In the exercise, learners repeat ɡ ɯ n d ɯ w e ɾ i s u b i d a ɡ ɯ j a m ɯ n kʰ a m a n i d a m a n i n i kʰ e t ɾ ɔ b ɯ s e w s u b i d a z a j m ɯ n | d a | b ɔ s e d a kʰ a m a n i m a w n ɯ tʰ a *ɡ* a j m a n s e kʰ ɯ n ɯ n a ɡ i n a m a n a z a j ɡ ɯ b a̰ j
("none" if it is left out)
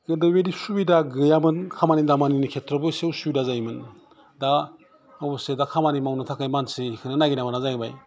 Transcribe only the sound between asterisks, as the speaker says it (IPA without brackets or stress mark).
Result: k